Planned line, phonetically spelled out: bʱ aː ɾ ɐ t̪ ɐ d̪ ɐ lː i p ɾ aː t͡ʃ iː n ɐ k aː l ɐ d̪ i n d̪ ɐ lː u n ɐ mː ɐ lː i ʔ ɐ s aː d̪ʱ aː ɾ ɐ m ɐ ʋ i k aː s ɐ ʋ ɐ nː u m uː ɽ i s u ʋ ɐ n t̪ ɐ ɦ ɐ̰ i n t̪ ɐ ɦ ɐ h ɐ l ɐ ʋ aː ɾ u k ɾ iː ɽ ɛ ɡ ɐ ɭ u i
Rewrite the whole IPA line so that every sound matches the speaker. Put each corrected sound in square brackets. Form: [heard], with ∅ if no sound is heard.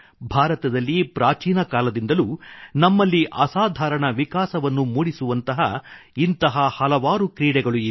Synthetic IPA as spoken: bʱ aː ɾ ɐ t̪ ɐ d̪ ɐ lː i p ɾ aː t͡ʃ iː n ɐ k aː l ɐ d̪ i n d̪ ɐ [l] u n ɐ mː ɐ lː i ʔ ɐ s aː d̪ʱ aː ɾ ɐ [ɳ] ɐ ʋ i k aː s ɐ ʋ ɐ nː u m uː ɽ i s u ʋ ɐ n t̪ ɐ ɦ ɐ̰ i n t̪ ɐ ɦ ɐ h ɐ l ɐ ʋ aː ɾ u k ɾ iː ɽ ɛ ɡ ɐ ɭ u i